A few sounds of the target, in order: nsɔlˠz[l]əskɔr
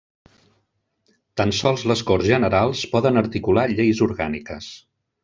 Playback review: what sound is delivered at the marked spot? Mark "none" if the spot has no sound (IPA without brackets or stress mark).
l